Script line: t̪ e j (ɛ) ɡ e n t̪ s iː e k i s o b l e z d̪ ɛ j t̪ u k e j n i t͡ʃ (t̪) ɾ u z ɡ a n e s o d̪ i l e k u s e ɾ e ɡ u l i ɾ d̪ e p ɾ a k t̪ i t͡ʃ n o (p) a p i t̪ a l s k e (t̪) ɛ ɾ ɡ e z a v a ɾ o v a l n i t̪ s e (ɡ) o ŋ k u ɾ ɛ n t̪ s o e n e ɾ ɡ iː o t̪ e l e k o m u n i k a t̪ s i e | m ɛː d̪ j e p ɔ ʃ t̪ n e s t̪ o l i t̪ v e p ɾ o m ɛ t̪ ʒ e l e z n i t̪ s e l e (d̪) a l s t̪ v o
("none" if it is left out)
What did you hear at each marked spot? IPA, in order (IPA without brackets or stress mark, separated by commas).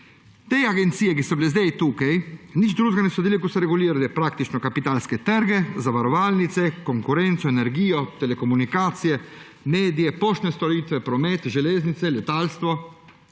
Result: a, d̪, k, t̪, k, t̪